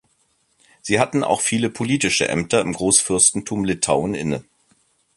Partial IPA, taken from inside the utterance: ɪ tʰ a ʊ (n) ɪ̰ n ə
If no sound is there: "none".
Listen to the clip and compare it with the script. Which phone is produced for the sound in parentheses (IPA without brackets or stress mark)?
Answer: n